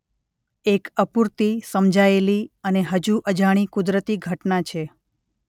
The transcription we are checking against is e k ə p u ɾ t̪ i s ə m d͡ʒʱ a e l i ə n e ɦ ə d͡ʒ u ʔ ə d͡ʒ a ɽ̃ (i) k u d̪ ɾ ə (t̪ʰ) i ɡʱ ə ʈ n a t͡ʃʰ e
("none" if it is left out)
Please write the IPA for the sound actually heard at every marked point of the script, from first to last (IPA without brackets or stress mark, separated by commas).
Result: i, t̪